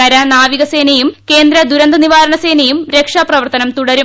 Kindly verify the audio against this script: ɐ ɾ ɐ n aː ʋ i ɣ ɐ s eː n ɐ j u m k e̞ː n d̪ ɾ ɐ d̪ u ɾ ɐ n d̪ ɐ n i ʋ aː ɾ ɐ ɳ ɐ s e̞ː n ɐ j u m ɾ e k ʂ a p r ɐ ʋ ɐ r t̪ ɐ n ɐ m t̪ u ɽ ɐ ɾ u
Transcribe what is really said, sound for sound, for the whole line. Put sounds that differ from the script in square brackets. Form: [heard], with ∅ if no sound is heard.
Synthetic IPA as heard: ɐ ɾ ɐ n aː ʋ i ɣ ɐ s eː n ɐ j u m k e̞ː n d̪ ɾ ɐ d̪ u ɾ ɐ n d̪ ɐ n i ʋ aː ɾ ɐ ɳ ɐ s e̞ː n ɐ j u m ɾ e k ʂ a p r ɐ ʋ ɐ r t̪ ɐ n ɐ m t̪ u ɽ ɐ ɾ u